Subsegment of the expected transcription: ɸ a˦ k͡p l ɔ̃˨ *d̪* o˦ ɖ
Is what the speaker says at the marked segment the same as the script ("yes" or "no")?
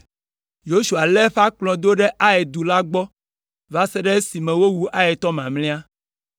yes